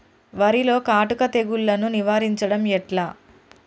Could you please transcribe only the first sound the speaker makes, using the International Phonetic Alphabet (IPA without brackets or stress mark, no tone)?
ʋ